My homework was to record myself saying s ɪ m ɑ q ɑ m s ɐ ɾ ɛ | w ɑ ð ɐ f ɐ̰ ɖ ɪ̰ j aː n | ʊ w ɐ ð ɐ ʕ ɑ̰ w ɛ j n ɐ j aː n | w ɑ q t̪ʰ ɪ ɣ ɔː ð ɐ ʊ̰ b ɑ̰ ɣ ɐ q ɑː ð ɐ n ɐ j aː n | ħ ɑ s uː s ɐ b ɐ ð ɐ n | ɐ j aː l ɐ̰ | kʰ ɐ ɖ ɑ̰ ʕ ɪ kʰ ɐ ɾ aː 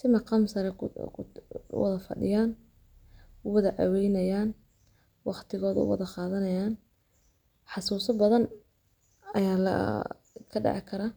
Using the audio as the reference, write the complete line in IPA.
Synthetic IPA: s ɪ m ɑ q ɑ m s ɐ ɾ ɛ | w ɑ ð ɐ f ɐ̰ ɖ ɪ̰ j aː n | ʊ w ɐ ð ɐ ʕ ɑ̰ w ɛ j n ɐ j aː n | w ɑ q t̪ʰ ɪ ɣ ɔː ð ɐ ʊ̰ w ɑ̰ ð ɐ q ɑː ð ɐ n ɐ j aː n | ħ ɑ s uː s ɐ b ɐ ð ɐ n | ɐ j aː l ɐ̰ | kʰ ɐ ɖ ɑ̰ ʕ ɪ kʰ ɐ ɾ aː